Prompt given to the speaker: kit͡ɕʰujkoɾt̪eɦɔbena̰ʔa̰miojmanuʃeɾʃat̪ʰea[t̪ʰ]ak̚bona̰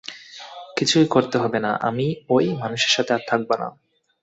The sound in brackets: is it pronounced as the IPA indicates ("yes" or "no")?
yes